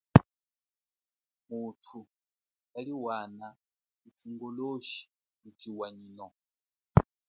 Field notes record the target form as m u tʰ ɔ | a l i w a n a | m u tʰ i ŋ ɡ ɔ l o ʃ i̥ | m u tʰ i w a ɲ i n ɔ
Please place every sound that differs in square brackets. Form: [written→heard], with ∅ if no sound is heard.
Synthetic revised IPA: m u tʰ [ɔ→u] | a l i w a n a | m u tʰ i ŋ ɡ ɔ l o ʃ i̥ | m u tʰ i w a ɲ i n ɔ